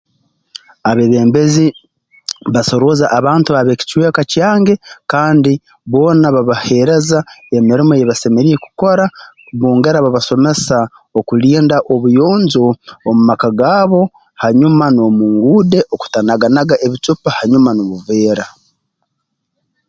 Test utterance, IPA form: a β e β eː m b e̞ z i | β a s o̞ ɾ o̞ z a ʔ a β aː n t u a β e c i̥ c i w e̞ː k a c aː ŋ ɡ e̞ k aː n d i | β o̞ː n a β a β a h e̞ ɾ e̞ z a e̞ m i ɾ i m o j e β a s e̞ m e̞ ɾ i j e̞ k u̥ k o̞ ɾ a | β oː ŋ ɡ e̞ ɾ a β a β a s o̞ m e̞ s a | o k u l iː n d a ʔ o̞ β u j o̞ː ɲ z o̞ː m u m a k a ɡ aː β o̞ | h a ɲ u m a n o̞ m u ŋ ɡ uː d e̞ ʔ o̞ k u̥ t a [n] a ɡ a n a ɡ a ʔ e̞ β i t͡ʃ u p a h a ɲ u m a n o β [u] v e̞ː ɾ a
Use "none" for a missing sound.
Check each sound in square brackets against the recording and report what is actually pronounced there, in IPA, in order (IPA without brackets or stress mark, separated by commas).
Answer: n, u